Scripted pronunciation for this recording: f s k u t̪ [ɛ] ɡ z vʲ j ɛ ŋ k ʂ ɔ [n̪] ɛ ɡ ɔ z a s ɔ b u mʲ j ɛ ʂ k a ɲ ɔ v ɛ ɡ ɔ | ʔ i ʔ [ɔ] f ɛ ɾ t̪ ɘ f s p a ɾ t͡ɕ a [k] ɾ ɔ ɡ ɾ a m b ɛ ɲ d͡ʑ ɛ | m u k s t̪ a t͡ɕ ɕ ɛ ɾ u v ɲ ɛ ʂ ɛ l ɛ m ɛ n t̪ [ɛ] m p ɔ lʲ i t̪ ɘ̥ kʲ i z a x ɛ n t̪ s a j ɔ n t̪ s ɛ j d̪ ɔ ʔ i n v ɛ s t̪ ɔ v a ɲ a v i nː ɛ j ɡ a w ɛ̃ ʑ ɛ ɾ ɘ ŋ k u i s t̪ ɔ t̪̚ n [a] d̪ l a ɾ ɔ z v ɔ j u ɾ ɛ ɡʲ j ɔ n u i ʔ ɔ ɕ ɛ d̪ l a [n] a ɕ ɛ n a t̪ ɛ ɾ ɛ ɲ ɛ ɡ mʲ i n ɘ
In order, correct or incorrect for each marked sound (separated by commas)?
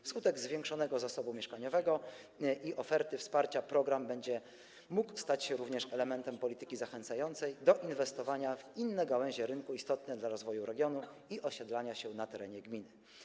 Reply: correct, correct, correct, incorrect, correct, incorrect, incorrect